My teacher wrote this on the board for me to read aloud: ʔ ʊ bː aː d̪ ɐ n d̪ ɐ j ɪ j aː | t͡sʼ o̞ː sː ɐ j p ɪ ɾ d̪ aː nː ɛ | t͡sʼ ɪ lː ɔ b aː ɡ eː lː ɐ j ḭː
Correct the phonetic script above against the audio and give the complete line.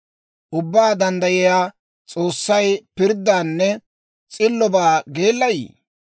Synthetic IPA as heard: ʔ ʊ bː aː d̪ ɐ n d̪ ɐ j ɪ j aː | t͡sʼ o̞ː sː ɐ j p ɪ ɾ d̪ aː nː ɛ | t͡sʼ ɪ lː ɔ b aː ɡ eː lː ɐ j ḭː